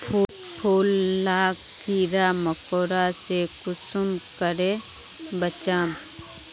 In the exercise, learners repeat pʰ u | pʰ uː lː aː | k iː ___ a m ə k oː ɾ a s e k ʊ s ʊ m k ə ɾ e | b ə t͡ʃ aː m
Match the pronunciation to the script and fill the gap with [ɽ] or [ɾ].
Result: ɾ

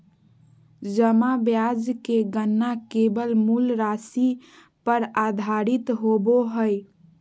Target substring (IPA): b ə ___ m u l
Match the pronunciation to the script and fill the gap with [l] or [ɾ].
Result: l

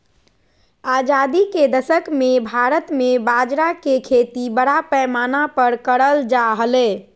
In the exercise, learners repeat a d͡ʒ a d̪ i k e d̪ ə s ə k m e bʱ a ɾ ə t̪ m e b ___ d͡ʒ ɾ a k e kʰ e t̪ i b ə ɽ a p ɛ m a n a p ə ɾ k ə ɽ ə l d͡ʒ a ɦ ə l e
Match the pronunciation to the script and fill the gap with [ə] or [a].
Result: a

